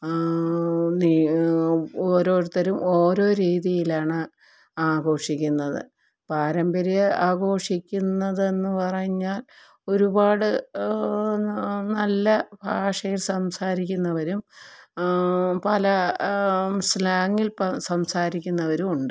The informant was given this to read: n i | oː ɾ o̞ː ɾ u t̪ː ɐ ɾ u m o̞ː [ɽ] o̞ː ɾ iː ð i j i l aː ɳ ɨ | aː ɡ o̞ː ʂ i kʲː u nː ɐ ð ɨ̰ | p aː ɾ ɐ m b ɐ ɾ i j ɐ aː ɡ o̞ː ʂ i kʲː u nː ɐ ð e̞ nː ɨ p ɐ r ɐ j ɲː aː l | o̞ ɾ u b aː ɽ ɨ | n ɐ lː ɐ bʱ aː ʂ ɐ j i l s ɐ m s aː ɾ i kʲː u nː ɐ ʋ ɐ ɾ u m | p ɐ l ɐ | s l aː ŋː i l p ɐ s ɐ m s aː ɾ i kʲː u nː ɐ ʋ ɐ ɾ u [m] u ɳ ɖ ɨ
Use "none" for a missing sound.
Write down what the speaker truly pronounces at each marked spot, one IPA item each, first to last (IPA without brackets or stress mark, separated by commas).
ɾ, m